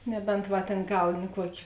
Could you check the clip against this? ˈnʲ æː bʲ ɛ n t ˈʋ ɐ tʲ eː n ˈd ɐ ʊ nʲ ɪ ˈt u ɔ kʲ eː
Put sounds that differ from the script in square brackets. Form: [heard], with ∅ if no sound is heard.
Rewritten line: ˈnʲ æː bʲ ɛ n t ˈʋ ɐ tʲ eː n [ˈɡ] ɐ ʊ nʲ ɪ [ˈk] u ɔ kʲ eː